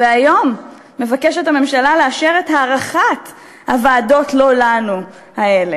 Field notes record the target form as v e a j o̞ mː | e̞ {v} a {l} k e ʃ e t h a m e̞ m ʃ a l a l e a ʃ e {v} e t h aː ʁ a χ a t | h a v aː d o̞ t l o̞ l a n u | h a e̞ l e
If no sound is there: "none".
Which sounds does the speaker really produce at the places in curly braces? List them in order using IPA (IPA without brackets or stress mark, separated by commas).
v, none, ʁ